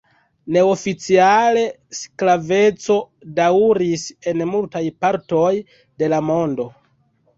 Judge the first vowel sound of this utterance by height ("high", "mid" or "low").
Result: mid